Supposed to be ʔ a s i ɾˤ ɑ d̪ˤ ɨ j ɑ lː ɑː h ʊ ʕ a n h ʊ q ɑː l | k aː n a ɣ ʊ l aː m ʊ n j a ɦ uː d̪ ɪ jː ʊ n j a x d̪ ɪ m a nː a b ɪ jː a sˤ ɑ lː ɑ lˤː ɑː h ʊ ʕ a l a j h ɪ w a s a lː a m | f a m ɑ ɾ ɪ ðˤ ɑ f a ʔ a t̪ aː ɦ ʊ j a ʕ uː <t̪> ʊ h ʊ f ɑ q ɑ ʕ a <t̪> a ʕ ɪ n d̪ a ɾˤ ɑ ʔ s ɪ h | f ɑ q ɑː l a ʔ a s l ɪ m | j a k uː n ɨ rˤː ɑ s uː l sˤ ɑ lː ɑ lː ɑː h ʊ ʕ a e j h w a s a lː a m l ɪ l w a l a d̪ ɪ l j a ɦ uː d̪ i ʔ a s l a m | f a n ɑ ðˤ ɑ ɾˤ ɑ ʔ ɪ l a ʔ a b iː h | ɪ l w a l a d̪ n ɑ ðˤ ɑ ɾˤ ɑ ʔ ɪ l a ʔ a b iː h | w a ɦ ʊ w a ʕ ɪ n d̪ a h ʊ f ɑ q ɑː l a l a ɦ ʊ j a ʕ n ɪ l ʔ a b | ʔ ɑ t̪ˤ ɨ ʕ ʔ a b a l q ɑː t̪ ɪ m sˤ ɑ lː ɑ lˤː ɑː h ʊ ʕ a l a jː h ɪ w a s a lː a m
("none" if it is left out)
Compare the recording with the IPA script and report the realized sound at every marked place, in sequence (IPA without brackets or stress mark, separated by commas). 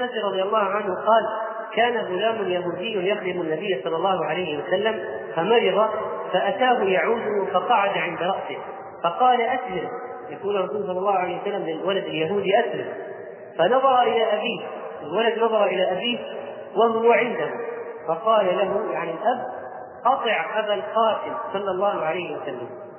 d̪, d̪